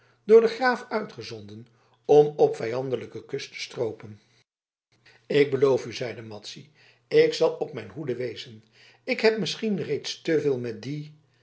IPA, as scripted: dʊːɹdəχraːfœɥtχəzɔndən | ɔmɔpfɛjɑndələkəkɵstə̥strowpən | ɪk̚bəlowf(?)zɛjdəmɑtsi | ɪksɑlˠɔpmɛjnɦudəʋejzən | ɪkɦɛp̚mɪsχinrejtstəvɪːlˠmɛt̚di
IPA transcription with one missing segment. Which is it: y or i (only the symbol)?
y